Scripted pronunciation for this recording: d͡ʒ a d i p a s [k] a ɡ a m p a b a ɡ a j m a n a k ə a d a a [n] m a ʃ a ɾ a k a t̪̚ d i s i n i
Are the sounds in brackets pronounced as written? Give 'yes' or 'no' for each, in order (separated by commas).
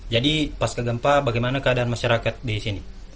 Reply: yes, yes